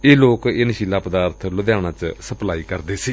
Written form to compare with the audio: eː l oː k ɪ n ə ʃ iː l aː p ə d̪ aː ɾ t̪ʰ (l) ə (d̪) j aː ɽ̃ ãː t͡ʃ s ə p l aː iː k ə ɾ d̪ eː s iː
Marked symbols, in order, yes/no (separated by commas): yes, yes